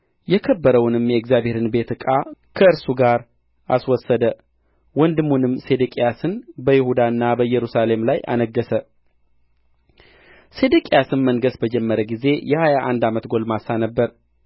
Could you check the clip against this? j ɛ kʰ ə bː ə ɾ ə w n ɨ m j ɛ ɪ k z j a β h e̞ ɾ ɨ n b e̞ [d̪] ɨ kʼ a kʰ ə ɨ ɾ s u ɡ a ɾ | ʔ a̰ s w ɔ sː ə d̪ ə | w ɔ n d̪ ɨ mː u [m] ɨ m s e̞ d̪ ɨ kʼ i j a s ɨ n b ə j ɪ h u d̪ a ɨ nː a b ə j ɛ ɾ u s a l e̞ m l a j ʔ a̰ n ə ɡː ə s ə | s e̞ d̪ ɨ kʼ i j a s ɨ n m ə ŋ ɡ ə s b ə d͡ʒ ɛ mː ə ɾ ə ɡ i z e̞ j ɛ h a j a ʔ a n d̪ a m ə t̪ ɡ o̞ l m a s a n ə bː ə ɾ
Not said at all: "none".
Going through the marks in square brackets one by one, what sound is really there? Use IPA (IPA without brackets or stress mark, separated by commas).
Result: t̪, n